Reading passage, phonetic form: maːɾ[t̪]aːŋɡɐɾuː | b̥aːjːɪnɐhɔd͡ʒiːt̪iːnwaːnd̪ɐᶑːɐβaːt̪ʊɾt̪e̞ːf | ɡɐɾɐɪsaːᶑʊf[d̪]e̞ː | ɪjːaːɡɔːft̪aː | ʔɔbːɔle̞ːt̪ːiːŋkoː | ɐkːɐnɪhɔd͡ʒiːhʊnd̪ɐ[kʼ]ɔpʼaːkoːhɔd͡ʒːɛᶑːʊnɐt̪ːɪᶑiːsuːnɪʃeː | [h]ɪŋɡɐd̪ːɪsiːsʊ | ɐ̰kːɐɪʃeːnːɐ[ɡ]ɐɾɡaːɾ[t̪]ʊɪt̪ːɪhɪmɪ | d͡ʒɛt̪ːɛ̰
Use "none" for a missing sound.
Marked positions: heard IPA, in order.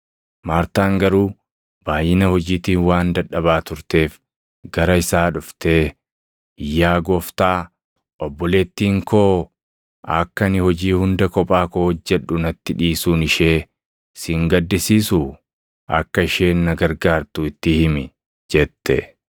t̪, t̪, k, s, ɡ, t̪

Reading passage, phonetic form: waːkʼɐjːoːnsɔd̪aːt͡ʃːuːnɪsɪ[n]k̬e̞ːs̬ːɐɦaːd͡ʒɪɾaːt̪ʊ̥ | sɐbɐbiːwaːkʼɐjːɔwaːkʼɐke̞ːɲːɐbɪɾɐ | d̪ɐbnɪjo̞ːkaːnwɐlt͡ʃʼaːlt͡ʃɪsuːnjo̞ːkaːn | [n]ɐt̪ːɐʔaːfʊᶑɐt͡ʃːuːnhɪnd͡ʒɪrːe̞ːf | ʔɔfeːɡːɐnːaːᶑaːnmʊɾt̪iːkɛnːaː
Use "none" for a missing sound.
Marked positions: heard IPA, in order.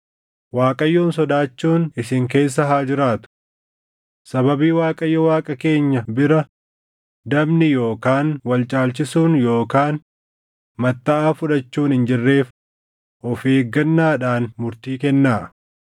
ŋ, m

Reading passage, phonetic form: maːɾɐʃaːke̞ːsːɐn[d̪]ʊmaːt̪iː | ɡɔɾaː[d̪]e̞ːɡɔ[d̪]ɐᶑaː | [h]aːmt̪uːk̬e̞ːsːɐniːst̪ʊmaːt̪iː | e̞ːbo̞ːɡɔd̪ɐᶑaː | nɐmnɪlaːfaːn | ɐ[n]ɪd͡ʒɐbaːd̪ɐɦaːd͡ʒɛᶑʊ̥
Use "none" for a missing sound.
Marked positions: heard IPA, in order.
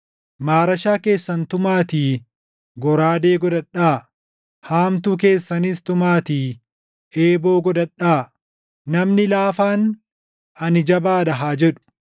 t̪, d̪, d̪, h, n

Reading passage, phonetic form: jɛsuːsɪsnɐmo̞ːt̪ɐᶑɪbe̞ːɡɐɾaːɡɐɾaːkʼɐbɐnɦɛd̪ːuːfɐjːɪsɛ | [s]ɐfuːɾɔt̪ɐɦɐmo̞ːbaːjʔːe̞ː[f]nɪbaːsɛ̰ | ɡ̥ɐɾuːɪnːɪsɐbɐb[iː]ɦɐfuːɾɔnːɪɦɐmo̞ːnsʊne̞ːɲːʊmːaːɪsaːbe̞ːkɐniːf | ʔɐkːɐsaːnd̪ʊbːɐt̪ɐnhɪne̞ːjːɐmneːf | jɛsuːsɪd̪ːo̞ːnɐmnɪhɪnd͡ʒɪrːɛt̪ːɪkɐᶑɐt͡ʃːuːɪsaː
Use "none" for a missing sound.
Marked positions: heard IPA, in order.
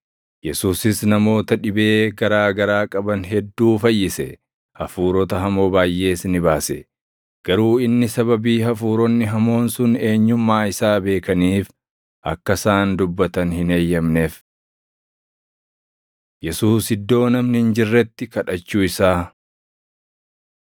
h, s, iː

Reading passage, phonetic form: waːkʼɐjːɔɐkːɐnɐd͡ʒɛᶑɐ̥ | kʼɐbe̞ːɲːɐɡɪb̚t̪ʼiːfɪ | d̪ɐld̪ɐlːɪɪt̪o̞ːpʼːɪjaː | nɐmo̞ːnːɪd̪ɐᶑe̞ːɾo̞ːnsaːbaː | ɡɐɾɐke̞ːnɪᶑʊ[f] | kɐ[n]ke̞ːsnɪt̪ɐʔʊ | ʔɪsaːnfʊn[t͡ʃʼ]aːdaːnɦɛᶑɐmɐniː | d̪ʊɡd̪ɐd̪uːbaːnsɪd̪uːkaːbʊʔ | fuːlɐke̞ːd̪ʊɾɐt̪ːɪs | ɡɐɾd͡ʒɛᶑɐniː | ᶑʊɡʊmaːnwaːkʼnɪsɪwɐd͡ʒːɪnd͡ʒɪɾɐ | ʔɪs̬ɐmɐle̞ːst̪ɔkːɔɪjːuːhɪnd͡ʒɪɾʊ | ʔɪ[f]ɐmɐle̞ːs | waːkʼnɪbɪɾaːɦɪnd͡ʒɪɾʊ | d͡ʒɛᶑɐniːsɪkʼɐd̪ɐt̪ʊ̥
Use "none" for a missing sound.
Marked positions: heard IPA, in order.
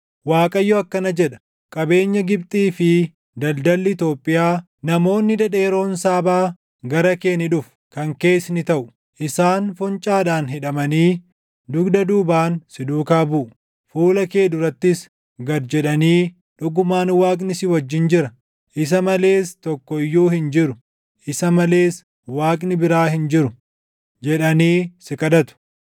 f, ŋ, t͡ʃʼ, s

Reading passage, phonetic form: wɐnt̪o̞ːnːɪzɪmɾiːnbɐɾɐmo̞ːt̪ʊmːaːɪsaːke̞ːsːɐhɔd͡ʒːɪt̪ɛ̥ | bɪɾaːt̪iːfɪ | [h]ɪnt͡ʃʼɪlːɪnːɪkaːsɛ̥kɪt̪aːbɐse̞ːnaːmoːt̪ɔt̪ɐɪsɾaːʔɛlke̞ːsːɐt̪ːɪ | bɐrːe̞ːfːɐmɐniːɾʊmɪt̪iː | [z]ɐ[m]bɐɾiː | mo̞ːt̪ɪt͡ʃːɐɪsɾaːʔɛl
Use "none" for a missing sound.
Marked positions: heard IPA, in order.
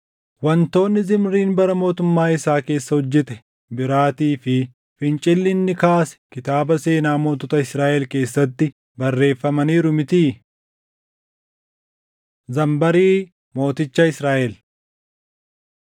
f, z, m

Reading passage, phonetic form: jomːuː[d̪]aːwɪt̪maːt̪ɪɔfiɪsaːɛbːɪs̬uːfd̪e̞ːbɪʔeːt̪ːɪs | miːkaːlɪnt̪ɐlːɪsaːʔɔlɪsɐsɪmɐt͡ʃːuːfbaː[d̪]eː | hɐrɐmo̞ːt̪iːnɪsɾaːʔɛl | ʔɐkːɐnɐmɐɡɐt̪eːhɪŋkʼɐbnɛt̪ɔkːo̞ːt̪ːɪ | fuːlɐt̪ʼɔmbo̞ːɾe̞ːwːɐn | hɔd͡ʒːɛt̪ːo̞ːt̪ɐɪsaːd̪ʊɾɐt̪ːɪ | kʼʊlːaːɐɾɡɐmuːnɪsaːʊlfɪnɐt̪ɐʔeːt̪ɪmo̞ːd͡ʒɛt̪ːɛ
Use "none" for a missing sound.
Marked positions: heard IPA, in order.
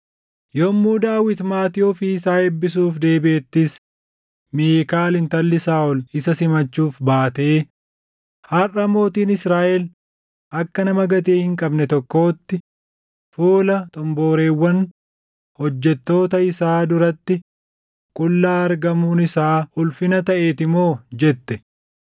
d̪, t̪

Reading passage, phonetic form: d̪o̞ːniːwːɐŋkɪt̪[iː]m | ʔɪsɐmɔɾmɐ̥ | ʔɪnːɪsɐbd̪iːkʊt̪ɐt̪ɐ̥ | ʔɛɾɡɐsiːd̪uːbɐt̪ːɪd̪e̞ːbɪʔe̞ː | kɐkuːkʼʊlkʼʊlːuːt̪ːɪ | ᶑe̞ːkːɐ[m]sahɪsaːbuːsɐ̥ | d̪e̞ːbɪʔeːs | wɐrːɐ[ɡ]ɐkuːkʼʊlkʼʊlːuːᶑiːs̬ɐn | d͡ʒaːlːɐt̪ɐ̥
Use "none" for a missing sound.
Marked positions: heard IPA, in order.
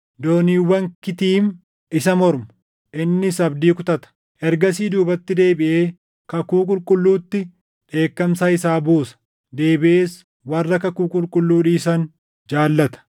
iː, m, k

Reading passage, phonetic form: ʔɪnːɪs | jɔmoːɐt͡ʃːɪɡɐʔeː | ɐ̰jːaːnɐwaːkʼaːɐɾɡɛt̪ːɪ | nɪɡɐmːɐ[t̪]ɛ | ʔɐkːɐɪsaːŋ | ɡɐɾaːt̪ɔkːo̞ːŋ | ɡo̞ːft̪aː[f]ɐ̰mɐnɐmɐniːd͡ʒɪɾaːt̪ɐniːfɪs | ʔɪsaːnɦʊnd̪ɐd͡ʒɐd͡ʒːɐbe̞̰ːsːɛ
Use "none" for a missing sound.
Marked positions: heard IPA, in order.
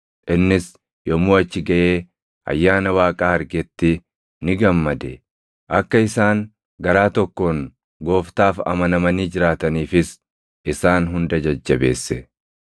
d̪, f

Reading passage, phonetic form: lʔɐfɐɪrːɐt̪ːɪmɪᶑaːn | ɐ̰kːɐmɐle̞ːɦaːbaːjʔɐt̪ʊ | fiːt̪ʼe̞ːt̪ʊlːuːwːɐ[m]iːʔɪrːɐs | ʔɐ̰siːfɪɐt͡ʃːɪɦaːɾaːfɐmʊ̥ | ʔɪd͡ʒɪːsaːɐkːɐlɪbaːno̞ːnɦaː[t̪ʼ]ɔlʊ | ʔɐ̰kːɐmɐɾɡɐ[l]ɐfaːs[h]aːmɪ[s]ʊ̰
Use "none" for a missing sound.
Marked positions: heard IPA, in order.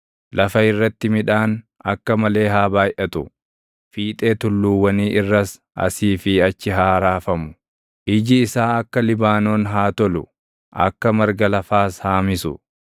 n, t̪, l, h, s

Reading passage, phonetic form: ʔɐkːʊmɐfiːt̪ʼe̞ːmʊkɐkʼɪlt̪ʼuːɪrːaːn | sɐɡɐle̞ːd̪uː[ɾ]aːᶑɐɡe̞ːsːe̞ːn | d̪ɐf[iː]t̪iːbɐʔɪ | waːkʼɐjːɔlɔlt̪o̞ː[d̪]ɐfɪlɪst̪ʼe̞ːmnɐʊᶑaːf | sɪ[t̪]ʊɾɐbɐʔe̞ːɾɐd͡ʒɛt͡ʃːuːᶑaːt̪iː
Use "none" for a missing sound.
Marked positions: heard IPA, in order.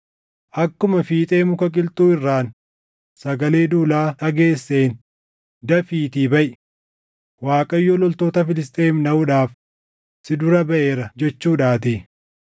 l, iː, t̪, d̪

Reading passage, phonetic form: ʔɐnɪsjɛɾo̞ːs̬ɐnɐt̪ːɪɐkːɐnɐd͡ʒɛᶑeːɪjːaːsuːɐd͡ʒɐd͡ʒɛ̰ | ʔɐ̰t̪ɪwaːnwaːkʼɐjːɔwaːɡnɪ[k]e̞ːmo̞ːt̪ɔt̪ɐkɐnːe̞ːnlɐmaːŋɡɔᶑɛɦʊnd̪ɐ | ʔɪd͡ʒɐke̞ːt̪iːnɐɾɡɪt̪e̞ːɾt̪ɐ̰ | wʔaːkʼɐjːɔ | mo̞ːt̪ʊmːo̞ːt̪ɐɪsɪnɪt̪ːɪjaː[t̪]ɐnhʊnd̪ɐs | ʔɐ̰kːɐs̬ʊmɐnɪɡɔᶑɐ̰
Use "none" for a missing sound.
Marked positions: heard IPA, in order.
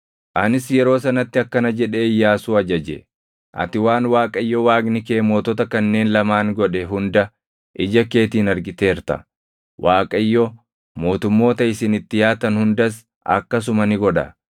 k, t̪

